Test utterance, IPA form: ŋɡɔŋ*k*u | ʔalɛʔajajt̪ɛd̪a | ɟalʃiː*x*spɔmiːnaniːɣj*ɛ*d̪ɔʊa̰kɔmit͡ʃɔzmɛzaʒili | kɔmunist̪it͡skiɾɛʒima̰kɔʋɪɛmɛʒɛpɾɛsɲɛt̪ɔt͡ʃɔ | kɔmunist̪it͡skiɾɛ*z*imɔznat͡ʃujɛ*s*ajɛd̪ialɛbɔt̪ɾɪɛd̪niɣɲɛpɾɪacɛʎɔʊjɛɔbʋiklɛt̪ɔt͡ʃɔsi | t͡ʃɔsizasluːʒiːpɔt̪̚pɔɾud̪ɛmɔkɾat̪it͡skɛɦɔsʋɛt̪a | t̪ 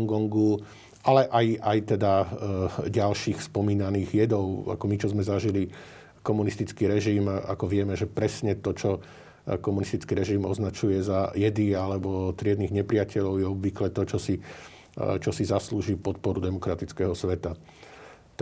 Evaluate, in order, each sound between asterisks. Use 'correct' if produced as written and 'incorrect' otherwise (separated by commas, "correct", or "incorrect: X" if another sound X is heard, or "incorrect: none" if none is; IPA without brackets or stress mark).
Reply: incorrect: ɡ, correct, correct, incorrect: ʒ, incorrect: z